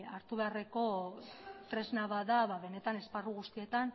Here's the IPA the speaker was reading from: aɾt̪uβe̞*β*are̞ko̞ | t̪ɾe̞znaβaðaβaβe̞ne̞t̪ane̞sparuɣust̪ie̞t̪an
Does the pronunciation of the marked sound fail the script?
yes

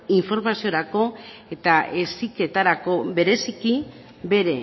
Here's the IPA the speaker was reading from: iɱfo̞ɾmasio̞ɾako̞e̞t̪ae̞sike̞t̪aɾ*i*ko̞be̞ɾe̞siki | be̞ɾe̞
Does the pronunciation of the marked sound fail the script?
yes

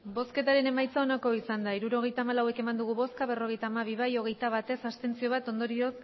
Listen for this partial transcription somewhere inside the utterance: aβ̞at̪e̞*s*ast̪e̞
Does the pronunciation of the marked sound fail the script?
no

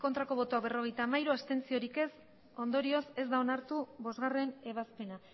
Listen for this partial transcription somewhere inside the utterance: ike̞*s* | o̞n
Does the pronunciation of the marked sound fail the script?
no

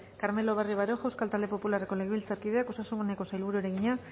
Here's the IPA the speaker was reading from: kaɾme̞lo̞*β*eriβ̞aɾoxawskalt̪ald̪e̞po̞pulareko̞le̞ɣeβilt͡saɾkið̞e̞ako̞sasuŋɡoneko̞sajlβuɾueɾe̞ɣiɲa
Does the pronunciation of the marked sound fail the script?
no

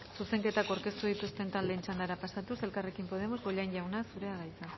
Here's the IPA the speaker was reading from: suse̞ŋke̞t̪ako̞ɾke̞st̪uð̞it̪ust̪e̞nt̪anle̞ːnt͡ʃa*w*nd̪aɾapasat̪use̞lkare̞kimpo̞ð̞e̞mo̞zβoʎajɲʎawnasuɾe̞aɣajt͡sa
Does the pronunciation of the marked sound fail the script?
yes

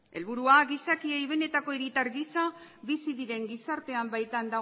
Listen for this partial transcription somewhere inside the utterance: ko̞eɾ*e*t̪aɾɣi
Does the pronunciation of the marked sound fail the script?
yes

